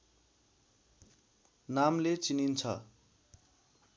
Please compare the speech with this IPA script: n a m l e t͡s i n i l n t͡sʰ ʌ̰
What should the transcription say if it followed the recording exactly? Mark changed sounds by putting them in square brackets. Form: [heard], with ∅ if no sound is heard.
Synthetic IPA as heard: n a m l e t͡s i n i [∅] n t͡sʰ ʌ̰